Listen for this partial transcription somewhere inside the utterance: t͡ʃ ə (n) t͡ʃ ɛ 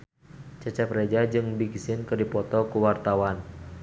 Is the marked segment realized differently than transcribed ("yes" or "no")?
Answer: yes